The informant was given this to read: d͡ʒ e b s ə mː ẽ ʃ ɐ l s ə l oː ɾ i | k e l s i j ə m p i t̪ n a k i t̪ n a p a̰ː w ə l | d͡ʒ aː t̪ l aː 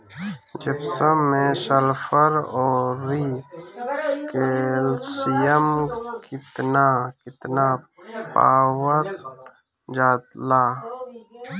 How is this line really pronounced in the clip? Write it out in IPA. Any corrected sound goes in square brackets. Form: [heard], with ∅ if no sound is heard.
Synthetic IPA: d͡ʒ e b s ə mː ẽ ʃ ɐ l [f] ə [ɾ] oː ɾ i | k e l s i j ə m [k] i t̪ n a k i t̪ n a p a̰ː w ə [ɾ] | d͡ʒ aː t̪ l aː